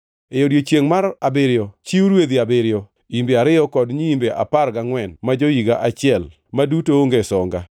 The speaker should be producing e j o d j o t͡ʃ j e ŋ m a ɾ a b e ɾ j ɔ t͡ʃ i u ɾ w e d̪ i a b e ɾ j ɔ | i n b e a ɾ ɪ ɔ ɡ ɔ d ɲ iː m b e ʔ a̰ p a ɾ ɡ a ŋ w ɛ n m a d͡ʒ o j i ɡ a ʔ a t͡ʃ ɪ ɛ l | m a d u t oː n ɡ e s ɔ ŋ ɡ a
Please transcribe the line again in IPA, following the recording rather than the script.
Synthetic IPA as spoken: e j o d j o t͡ʃ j e ŋ m a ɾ a b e ɾ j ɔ t͡ʃ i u ɾ w e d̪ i a b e ɾ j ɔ | i m b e a ɾ ɪ ɔ k ɔ d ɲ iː m b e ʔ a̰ p a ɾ ɡ a ŋ w ɛ n m a d͡ʒ o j i ɡ a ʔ a t͡ʃ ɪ ɛ l | m a d u t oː ŋ ɡ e s ɔ ŋ ɡ a